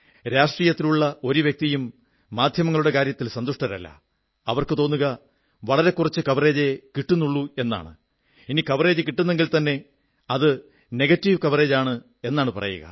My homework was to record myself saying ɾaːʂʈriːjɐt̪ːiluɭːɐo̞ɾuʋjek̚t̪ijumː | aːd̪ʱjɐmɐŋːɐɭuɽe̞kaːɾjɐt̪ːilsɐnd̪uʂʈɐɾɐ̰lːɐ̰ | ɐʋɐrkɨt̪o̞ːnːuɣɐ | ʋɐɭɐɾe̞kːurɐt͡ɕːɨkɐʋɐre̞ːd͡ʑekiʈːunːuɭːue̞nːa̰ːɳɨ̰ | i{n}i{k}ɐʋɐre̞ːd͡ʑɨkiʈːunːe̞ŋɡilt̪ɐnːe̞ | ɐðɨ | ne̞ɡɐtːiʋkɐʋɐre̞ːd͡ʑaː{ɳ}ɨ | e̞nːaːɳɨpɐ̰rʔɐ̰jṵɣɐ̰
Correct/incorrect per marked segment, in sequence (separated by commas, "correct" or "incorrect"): correct, correct, correct